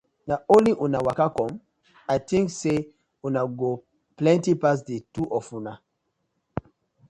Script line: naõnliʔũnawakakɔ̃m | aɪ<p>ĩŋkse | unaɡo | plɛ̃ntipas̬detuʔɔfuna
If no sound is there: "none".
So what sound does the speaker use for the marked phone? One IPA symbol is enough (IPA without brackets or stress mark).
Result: t